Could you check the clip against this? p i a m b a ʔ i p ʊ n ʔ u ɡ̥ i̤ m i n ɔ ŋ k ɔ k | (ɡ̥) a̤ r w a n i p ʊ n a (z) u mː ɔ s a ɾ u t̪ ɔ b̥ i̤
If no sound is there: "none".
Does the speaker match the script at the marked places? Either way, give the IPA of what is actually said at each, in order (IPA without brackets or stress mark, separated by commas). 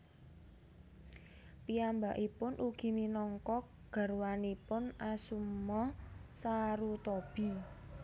ɡ̥, s